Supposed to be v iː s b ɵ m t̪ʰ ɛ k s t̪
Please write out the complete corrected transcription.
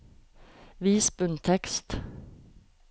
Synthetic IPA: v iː s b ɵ n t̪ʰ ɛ k s t̪